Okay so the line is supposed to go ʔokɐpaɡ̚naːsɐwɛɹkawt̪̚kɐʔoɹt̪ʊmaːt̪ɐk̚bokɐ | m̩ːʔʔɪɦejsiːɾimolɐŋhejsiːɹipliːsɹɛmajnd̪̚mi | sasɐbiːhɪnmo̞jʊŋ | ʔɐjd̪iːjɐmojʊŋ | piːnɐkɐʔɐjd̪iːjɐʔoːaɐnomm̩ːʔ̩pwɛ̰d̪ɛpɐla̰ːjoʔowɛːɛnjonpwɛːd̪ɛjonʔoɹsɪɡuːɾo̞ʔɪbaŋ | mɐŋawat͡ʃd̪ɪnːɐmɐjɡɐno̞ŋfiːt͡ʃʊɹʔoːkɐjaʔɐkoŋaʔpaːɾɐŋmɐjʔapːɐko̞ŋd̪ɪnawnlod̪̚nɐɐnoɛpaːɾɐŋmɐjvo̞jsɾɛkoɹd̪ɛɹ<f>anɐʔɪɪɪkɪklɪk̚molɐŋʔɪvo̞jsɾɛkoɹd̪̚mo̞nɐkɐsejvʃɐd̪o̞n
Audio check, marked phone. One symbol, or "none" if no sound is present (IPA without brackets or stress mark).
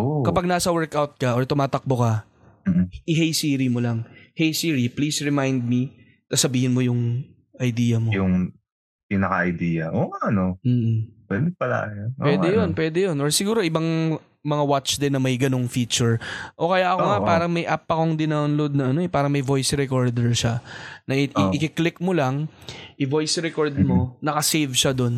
ʃ